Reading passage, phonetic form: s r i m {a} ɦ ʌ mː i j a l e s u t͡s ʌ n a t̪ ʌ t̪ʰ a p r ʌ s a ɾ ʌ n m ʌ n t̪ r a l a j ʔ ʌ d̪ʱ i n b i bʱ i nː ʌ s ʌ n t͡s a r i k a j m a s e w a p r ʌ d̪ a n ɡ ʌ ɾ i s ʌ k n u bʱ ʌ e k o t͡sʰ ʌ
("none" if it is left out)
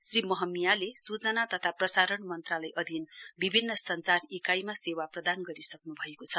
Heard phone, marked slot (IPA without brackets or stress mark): ʌ